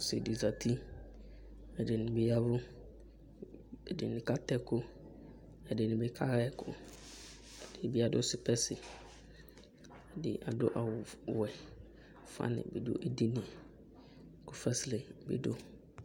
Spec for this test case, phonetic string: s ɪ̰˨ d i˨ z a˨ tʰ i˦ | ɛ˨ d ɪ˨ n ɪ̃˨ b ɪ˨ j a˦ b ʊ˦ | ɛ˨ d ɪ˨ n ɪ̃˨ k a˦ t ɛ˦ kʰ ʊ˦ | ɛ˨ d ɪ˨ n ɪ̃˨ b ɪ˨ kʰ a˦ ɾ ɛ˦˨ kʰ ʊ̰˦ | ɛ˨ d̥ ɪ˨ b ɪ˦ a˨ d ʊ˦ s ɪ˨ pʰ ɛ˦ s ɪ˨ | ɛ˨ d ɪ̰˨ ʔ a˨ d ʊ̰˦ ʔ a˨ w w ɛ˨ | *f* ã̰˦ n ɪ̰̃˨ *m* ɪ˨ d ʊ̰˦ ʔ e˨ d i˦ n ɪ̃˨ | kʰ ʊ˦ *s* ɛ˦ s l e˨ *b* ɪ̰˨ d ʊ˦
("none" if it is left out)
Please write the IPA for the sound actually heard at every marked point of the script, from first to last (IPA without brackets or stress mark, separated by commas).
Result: f, b, f, b